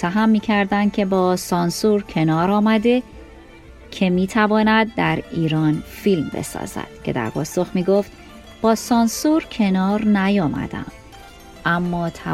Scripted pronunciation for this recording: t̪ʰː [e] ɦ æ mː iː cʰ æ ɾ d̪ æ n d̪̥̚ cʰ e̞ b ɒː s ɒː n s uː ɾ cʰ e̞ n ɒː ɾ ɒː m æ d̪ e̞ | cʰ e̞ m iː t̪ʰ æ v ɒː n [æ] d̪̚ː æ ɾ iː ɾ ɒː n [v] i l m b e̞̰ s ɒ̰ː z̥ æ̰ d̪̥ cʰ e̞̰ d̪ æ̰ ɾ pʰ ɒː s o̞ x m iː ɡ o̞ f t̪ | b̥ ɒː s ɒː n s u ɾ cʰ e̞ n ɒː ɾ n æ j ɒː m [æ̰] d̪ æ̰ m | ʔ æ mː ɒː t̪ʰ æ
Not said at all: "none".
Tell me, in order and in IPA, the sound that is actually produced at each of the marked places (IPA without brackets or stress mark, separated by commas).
æ, æ, f, æ̰